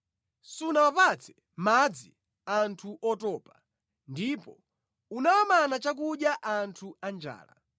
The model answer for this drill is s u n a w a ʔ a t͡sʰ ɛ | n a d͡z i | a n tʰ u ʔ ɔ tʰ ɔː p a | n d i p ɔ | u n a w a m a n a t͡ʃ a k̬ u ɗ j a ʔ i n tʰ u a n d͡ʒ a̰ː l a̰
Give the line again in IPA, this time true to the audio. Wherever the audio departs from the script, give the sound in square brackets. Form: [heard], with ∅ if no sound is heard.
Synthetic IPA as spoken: s u n a w a [p] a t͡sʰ ɛ | [m] a d͡z i | a n tʰ u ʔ ɔ [t] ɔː p a | n d i p ɔ | u n a w a m a n a t͡ʃ a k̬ u ɗ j a ʔ [a] n tʰ u a n d͡ʒ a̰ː l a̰

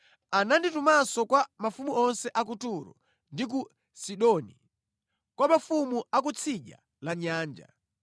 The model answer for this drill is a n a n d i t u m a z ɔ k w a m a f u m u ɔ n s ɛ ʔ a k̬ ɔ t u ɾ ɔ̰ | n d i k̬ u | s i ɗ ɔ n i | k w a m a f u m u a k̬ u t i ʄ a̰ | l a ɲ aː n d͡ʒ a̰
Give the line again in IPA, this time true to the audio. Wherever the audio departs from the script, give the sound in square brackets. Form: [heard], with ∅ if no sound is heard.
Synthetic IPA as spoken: a n a n d i t u m a [s] ɔ k w a m a f u m u ɔ n s ɛ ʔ a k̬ [u] t u ɾ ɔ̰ | n d i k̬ u | s i ɗ ɔ n i | k w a m a f u m u a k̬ u [t͡sʰ] i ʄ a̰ | l a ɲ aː n d͡ʒ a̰

